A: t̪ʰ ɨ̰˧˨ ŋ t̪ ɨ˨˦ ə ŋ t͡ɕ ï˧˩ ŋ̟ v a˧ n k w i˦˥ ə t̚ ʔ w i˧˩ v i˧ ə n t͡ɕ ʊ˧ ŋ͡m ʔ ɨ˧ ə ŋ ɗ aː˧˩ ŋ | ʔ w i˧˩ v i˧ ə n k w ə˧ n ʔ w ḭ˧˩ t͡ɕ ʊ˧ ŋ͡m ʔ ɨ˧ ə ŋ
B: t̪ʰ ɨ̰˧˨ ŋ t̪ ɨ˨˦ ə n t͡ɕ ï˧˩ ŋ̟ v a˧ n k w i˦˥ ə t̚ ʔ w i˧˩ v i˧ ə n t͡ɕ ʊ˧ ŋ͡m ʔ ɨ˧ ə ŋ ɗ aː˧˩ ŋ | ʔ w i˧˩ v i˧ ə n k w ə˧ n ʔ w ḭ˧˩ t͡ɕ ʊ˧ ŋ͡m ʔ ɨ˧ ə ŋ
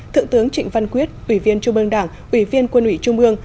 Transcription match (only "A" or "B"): A